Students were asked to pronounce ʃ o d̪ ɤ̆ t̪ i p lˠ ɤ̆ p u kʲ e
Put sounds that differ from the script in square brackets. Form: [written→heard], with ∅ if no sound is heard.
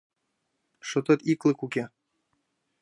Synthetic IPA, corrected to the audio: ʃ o [d̪→t̪] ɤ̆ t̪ i [p→k] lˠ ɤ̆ [p→k] u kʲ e